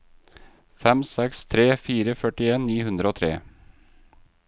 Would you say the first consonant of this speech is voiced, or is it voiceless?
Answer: voiceless